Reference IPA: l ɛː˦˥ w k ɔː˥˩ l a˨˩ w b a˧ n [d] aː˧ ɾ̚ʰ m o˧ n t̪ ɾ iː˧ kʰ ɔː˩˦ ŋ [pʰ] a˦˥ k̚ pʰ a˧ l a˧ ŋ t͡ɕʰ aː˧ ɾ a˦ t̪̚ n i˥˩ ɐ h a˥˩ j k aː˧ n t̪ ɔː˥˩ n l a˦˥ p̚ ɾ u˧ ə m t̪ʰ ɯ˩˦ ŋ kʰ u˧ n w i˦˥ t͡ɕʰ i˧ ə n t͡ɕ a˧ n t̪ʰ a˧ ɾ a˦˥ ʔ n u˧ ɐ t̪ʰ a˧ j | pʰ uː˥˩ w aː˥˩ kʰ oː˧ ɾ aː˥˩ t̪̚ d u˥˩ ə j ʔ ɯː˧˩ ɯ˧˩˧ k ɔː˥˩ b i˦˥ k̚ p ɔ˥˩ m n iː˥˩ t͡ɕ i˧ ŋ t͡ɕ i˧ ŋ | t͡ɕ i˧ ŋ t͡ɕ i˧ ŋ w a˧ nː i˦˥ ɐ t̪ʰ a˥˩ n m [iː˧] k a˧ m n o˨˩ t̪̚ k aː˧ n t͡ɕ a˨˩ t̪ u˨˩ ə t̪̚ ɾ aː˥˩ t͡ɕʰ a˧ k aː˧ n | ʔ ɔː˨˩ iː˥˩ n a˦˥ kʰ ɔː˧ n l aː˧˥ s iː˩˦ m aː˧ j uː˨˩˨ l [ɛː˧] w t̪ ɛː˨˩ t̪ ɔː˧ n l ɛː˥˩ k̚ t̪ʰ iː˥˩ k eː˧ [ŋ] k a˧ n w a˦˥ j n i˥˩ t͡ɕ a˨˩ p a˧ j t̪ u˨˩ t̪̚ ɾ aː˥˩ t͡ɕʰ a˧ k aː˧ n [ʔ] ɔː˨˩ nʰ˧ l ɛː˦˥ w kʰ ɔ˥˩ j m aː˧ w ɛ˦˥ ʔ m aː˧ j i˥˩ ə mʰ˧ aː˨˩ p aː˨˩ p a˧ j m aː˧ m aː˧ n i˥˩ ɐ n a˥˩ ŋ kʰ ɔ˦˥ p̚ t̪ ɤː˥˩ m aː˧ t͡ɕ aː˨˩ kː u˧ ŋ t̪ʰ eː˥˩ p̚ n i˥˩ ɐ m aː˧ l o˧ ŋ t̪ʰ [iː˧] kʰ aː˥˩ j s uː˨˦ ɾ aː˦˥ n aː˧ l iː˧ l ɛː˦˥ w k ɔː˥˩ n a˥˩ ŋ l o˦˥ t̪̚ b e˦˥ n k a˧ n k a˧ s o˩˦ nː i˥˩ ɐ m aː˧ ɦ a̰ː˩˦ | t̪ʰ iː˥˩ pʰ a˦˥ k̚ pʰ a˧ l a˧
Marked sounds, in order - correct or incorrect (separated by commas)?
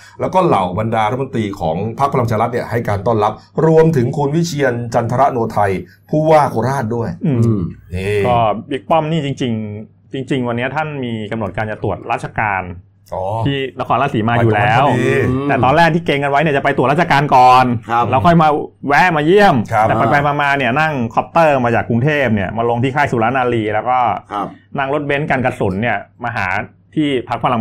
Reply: correct, correct, correct, incorrect, correct, incorrect, incorrect